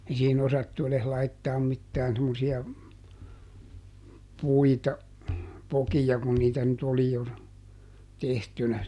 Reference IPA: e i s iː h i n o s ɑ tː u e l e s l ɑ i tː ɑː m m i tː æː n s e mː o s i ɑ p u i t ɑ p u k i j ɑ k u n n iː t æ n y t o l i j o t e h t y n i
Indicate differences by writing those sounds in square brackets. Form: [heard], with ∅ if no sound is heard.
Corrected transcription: e i s iː h i n o s ɑ tː u e l e s l ɑ i tː ɑː m m i tː æː n s e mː o s i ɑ p u i t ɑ p [o] k i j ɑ k u n n iː t æ n y t o l i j o t e h t y n [æ]